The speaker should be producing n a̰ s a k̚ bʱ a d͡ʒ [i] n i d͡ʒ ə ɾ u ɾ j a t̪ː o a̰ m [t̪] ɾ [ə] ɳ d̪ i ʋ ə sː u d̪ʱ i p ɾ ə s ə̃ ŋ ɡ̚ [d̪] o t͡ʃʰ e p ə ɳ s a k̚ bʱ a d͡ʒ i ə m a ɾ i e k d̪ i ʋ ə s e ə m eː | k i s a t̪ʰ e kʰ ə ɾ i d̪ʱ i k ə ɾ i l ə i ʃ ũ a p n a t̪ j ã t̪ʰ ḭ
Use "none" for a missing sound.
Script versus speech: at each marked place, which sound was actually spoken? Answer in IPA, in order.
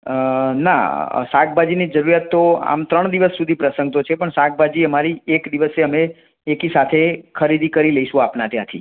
i, t̪, ə, t̪

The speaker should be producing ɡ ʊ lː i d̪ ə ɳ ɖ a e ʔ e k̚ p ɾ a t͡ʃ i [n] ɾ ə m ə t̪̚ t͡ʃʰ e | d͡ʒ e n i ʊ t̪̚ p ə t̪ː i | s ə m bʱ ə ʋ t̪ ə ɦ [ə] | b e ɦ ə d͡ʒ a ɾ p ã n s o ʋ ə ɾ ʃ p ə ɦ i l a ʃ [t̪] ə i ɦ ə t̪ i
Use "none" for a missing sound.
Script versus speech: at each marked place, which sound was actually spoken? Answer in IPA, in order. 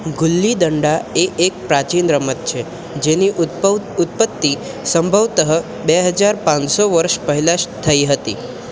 n, ə, t̪ʰ

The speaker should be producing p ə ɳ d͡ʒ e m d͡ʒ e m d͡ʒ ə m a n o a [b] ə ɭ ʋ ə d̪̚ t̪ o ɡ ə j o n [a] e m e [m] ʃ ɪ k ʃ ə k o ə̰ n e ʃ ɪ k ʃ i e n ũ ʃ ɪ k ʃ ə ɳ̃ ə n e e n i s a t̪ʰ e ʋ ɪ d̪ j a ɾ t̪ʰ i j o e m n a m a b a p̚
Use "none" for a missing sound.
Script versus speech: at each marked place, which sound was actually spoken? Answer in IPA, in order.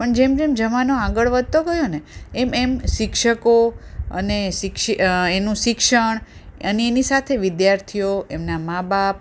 ɡ, e, m

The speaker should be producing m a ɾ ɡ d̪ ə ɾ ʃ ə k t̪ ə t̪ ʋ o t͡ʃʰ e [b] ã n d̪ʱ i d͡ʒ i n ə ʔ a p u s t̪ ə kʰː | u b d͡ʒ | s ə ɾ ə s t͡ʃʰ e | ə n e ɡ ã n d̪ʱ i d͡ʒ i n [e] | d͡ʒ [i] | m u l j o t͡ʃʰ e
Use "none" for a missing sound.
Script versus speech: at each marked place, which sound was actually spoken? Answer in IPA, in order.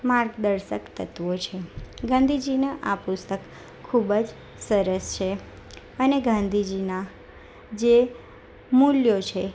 ɡ, a, e

